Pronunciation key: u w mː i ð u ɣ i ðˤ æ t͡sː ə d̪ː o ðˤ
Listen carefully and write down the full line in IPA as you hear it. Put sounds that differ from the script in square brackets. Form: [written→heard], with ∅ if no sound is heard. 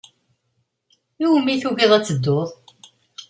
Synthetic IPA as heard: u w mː i [ð→θ] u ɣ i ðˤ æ t͡sː ə d̪ː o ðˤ